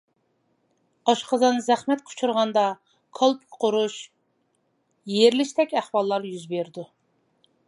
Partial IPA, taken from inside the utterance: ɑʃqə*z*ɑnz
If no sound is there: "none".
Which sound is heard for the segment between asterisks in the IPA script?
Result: z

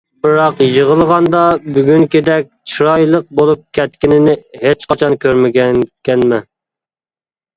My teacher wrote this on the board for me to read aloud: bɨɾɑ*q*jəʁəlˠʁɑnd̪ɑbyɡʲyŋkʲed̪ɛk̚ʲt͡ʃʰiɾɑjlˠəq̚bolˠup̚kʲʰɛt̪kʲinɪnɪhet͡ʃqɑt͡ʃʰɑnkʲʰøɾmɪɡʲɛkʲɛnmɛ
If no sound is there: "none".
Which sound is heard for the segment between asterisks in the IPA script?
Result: q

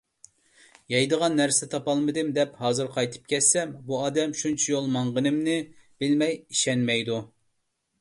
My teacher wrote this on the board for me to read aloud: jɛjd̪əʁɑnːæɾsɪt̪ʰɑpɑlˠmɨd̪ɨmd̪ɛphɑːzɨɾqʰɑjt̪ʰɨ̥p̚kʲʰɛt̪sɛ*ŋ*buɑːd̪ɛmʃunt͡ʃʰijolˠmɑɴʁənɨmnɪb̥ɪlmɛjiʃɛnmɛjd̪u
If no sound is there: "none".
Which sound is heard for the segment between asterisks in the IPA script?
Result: m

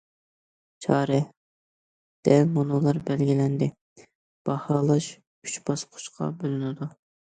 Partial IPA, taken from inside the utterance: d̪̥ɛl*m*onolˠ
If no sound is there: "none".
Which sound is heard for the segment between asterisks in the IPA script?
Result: m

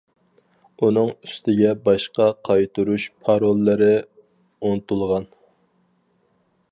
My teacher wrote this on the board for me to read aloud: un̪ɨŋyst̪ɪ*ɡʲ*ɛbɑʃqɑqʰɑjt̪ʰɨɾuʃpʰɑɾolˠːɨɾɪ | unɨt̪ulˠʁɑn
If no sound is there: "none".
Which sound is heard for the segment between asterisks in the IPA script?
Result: ɡʲ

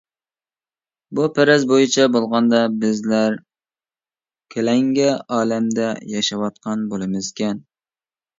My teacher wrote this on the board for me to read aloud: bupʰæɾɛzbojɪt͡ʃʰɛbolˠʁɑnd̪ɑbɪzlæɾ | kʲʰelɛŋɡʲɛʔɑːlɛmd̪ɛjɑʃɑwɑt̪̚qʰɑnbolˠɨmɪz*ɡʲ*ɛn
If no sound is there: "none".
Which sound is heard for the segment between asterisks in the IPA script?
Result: kʲ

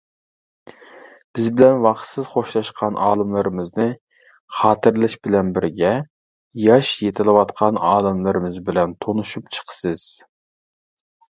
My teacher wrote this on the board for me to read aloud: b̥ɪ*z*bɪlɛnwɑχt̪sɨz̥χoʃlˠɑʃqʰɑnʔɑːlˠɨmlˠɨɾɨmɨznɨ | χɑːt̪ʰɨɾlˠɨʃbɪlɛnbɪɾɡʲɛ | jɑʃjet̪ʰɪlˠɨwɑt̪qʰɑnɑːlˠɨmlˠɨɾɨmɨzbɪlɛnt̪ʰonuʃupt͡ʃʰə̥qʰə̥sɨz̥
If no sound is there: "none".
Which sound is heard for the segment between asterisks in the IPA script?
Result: z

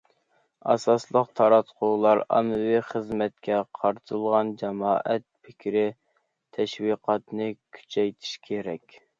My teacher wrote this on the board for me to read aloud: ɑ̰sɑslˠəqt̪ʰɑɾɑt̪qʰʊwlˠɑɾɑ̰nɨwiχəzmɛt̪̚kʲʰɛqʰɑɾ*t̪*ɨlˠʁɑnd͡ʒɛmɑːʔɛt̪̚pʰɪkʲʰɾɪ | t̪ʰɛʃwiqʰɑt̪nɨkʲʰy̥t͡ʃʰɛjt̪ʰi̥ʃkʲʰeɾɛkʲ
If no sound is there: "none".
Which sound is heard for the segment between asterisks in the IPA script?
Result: t̪ʰ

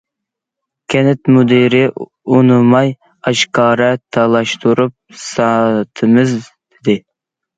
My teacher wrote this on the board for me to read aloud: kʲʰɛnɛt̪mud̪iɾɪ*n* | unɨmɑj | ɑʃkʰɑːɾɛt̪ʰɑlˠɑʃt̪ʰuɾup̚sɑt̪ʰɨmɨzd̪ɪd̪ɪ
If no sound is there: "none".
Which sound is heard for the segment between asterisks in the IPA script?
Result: none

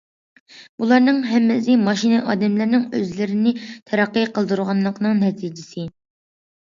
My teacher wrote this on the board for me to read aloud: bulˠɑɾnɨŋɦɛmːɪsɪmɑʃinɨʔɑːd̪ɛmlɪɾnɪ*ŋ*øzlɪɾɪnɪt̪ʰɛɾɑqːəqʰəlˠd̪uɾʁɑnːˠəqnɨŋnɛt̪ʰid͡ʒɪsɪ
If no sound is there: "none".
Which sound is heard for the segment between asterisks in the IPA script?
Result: ŋ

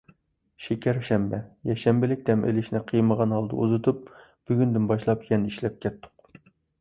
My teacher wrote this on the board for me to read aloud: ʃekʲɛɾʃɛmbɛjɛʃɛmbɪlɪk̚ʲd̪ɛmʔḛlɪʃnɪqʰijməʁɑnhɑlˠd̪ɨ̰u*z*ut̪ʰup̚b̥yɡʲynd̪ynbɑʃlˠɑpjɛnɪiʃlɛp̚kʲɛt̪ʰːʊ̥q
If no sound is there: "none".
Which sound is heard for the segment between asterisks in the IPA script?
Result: z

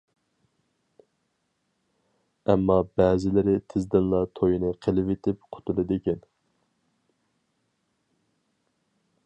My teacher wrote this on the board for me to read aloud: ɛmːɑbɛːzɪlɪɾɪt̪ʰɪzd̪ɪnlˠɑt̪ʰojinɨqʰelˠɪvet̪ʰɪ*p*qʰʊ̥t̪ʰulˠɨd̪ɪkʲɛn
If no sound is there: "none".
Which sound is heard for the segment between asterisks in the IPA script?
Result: p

